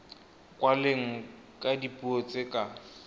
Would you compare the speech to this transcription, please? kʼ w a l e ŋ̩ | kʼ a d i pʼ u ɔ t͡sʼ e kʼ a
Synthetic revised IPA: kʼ w a l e ŋ̩ | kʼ a d i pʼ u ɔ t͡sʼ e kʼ a